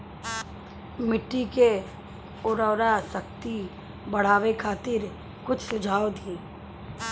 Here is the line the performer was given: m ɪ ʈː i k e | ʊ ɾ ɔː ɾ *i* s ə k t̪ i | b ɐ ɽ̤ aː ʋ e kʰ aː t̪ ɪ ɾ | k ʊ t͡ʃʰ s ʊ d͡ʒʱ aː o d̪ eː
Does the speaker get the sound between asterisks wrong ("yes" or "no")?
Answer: yes